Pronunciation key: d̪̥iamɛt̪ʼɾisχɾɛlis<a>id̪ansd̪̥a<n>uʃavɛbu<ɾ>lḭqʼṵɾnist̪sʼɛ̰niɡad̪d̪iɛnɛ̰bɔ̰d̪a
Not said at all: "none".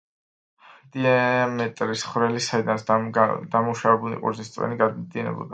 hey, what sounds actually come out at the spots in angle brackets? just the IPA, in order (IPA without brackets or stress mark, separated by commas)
a, m, none